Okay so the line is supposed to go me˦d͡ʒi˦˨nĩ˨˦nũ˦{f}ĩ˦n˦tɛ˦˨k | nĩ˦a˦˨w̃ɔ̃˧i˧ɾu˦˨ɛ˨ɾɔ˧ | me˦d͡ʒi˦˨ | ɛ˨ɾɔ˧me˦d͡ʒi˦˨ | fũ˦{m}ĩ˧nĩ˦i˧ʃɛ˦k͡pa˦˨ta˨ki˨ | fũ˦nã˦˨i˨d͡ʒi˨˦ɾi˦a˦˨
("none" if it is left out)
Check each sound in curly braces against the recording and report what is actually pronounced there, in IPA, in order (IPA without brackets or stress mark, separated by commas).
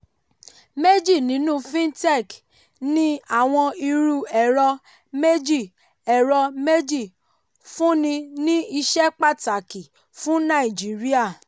f, n